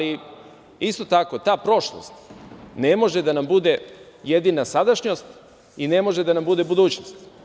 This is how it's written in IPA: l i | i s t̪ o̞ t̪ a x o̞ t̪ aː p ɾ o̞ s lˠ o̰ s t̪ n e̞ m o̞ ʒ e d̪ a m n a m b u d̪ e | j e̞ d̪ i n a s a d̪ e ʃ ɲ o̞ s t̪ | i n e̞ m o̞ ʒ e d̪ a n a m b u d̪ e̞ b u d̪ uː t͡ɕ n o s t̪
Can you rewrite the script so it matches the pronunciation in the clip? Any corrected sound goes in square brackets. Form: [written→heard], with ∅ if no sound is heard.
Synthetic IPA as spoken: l i | i s t̪ o̞ t̪ a [x→k] o̞ t̪ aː p ɾ o̞ [s→ʃ] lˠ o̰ s t̪ n e̞ m o̞ ʒ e d̪ a [m→∅] n a m b u d̪ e | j e̞ d̪ i n a s a d̪ [e→a] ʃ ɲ o̞ s t̪ | i n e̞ m o̞ ʒ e d̪ a n a m b u d̪ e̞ b u d̪ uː t͡ɕ n o s t̪